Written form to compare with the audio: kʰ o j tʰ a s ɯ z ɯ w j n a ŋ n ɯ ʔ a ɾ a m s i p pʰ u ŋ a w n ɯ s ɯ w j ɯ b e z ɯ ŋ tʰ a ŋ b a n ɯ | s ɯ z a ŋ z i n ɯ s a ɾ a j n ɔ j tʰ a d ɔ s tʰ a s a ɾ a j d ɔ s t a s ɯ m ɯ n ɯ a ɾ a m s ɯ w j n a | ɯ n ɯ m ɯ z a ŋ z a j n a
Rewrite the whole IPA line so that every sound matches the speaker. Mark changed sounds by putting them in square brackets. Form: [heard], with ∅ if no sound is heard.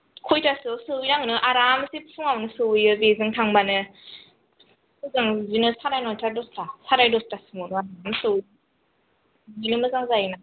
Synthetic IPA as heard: kʰ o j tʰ a s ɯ [s] ɯ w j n a ŋ n ɯ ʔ a ɾ a m s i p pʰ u ŋ a w n ɯ s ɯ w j ɯ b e z ɯ ŋ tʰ a ŋ b a n ɯ | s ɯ z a ŋ z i n ɯ s a ɾ a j n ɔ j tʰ a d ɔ s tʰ a s a ɾ a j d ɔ s t a s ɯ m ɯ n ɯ a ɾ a m s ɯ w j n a | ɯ n ɯ m ɯ z a ŋ z a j n a